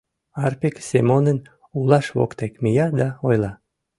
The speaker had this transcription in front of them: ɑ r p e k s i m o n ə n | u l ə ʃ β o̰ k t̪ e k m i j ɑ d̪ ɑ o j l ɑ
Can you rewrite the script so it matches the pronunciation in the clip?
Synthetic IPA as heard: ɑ r p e k s e m o n ə n | u l ɑ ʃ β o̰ k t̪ e k m i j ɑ d̪ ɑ o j l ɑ